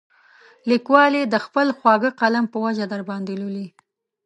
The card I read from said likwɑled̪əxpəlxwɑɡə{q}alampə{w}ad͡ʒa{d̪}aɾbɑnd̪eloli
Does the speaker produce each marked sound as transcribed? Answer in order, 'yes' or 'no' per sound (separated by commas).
yes, yes, yes